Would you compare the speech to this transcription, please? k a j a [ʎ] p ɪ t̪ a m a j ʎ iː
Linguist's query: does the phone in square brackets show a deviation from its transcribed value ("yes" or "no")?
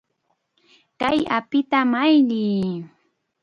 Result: yes